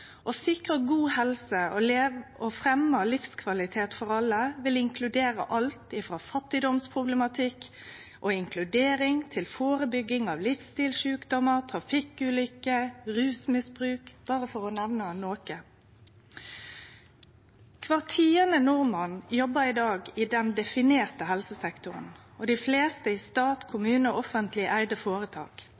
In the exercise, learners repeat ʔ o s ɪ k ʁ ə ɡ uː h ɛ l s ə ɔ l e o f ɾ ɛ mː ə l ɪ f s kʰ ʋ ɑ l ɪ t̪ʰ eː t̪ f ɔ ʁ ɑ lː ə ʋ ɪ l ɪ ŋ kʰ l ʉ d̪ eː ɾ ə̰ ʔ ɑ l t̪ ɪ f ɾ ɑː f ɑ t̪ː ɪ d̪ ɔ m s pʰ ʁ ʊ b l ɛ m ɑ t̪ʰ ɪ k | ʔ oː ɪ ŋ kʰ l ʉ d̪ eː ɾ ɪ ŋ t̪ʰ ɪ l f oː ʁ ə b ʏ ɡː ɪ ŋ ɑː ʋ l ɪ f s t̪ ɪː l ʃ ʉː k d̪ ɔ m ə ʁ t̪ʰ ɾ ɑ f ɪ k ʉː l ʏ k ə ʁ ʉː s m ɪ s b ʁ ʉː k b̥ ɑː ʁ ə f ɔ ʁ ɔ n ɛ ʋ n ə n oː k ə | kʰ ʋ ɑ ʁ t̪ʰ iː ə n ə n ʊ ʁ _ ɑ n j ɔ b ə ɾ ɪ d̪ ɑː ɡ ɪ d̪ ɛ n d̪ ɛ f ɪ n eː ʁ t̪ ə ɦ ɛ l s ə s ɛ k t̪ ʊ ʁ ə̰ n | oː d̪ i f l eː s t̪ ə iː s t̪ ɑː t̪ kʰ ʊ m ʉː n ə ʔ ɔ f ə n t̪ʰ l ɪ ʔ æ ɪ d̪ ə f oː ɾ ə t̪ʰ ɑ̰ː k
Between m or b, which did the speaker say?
m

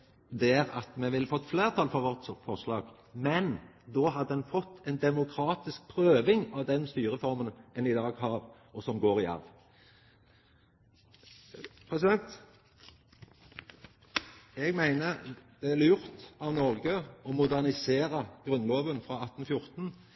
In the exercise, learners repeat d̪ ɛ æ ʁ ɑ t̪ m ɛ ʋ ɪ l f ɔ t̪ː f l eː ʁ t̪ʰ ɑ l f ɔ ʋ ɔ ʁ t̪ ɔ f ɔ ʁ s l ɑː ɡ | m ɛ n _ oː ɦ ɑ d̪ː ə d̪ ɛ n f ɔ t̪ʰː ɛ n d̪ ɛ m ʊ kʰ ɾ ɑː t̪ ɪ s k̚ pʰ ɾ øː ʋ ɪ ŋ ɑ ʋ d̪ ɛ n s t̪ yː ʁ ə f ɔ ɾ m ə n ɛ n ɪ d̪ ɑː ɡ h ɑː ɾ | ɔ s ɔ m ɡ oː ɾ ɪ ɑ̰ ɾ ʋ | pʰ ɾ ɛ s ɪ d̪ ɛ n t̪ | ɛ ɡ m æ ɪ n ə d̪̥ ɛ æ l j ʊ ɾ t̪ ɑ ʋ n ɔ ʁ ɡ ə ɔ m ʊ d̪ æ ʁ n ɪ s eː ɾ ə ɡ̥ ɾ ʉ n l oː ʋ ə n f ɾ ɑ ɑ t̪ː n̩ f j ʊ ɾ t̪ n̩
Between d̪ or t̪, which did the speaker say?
d̪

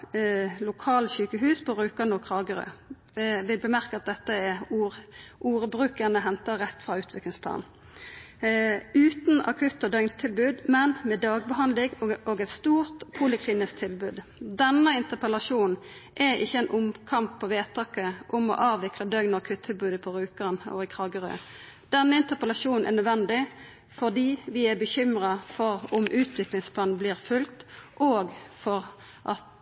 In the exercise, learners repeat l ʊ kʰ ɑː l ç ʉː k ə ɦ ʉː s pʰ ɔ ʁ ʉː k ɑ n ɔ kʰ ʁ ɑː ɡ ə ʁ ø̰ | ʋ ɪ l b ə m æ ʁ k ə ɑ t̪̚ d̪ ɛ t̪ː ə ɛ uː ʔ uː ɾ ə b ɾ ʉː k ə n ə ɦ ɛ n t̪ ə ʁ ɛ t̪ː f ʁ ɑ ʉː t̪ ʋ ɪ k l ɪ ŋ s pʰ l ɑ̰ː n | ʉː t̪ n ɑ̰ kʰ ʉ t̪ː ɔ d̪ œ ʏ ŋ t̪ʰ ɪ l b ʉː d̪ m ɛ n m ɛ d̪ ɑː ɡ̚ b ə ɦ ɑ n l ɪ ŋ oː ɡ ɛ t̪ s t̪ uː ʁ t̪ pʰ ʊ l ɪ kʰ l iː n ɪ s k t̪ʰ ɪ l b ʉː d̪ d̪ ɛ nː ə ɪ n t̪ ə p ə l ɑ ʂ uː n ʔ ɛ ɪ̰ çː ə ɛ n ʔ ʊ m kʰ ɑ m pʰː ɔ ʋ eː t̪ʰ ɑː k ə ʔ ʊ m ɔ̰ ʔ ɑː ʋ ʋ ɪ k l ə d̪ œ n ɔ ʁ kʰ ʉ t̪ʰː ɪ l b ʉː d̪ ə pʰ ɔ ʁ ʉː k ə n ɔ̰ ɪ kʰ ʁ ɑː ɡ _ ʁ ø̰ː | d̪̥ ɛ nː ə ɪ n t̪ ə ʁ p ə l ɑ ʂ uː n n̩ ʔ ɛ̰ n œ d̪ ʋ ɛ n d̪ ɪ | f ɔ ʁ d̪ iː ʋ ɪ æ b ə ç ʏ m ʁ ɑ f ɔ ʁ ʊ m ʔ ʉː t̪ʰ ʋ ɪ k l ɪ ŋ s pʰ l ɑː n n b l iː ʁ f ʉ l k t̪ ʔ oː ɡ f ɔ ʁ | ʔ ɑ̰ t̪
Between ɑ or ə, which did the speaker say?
ə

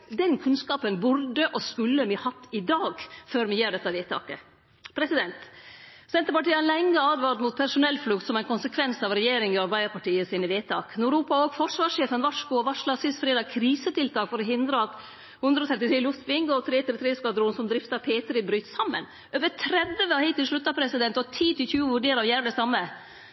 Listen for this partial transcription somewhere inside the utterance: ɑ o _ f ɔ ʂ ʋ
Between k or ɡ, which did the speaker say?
ɡ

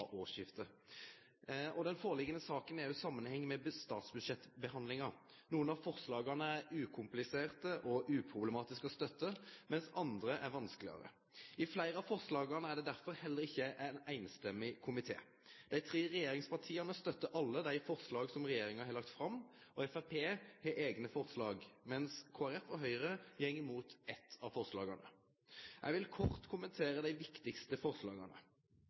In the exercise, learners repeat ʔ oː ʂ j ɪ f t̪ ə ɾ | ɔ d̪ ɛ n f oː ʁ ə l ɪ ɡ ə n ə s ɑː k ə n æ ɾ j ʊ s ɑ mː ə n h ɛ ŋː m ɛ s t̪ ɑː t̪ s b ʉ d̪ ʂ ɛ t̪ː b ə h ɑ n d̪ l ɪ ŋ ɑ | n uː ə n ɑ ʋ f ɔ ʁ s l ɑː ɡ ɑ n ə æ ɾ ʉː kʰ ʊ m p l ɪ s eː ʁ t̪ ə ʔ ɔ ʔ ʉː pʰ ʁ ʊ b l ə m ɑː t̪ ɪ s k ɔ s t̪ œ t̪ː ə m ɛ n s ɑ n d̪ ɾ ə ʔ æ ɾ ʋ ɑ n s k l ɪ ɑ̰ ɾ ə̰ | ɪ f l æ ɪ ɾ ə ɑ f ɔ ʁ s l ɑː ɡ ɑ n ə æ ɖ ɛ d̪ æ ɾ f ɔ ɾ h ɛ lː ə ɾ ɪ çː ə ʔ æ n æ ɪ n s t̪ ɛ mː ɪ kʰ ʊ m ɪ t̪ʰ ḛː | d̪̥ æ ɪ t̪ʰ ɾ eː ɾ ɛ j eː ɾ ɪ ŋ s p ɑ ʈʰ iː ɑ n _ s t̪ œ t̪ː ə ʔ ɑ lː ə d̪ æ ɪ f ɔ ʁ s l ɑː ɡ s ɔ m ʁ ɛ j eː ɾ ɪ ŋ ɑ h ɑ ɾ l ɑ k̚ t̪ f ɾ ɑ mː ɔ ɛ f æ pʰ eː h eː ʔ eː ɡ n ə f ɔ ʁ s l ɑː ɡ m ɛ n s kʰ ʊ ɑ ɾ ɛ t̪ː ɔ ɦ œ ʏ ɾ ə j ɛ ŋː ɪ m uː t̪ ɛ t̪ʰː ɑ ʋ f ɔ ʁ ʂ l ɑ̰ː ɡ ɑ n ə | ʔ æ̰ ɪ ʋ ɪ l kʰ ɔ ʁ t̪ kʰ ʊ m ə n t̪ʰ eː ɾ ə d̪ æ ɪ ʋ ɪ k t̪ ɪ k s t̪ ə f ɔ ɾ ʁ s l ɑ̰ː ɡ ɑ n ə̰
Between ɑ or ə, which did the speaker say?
ə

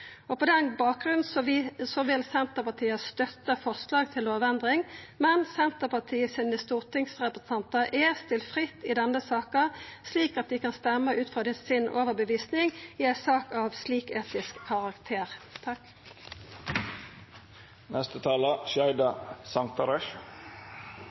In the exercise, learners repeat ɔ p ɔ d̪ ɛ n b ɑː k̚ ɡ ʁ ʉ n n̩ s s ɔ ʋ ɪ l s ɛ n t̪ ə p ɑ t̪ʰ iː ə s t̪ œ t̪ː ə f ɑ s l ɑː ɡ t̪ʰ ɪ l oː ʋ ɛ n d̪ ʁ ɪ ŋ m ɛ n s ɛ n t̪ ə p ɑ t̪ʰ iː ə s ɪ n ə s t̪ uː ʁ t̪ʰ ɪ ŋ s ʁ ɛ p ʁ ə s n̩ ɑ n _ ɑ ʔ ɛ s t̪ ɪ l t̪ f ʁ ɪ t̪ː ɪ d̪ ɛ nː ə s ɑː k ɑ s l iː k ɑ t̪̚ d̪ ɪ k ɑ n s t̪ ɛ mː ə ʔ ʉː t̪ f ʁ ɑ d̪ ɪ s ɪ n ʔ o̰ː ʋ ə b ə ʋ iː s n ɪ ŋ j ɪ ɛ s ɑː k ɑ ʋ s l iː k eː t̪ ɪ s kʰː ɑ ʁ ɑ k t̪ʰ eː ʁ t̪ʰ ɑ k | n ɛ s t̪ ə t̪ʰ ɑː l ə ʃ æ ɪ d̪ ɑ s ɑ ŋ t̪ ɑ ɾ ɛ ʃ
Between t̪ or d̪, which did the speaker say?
t̪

